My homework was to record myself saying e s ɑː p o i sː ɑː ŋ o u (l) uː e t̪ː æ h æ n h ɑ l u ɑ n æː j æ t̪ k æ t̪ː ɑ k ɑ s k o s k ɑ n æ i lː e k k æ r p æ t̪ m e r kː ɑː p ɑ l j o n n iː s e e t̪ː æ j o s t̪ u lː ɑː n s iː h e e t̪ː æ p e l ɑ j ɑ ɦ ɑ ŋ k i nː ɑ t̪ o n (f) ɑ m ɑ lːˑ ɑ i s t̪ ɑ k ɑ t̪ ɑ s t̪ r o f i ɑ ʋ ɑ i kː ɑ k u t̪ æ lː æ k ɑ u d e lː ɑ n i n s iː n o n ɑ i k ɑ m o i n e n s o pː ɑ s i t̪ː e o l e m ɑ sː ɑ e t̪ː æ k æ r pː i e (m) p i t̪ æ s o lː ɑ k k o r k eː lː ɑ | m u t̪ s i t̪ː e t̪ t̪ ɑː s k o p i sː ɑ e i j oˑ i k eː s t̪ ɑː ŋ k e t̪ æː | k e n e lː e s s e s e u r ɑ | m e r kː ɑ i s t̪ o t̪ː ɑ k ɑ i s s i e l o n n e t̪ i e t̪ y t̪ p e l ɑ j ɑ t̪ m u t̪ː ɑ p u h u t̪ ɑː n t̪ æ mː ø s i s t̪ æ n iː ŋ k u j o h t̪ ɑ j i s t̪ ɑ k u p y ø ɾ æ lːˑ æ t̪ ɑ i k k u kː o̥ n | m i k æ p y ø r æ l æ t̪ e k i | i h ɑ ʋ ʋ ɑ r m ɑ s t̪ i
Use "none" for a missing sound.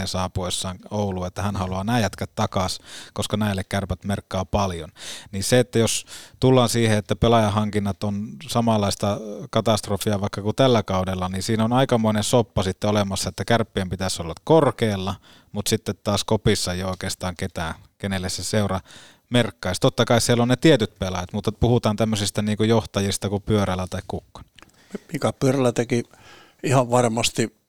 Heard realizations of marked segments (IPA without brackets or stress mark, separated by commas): l, s, m